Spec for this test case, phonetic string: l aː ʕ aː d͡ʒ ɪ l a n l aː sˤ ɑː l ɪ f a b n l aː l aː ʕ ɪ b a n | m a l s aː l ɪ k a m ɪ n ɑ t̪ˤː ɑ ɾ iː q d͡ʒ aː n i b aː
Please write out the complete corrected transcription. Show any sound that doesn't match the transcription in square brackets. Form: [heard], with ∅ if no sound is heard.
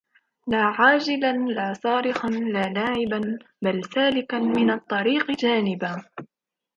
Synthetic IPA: l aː ʕ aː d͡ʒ ɪ l a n l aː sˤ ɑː [ɾ] ɪ [x] a [∅] n l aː l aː ʕ ɪ b a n | [b] a l s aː l ɪ k a m ɪ n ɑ t̪ˤː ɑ ɾ iː q d͡ʒ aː n [ɪ] b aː